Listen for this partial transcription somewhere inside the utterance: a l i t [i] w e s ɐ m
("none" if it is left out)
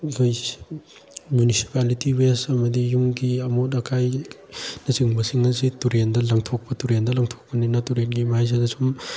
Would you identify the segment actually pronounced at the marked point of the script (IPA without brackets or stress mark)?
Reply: i